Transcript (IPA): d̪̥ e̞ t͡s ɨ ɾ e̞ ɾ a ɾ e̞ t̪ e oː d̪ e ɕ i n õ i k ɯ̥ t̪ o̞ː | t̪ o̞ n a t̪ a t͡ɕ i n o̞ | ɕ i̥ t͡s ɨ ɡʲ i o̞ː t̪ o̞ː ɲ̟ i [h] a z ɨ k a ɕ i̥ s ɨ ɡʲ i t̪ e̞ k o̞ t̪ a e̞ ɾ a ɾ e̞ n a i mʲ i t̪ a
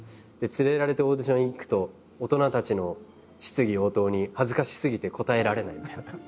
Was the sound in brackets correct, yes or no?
yes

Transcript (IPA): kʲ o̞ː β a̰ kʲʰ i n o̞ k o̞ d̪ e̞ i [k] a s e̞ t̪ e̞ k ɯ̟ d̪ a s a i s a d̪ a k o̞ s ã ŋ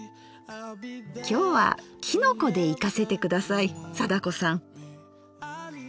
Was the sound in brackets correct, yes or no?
yes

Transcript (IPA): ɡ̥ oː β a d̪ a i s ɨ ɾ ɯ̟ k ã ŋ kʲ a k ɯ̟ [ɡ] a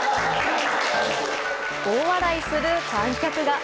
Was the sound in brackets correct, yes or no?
yes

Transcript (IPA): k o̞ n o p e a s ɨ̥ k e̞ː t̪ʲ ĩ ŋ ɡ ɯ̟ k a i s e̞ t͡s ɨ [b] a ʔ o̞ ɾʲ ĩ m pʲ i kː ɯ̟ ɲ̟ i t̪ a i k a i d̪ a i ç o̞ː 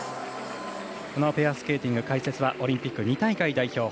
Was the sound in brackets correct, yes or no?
no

